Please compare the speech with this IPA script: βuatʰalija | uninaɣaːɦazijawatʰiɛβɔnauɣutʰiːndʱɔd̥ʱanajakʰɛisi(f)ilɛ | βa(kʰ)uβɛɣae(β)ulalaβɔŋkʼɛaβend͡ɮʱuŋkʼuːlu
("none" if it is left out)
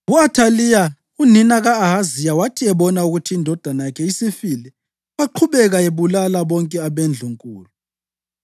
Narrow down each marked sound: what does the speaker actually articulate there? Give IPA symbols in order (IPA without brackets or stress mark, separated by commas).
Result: f, ǃʰ, β